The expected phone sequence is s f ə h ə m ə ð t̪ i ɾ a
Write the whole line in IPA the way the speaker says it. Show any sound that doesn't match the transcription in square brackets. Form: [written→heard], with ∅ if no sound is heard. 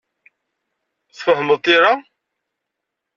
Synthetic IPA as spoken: [s→θ] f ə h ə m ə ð t̪ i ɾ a